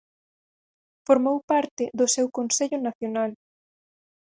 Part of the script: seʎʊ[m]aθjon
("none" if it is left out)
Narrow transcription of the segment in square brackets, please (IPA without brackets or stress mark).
n